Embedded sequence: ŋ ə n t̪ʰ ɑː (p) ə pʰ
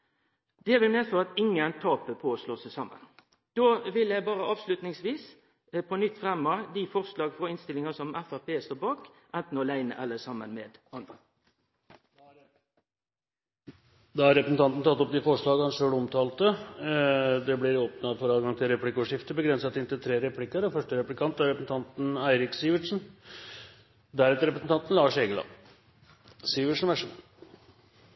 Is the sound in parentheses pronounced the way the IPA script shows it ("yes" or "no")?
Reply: yes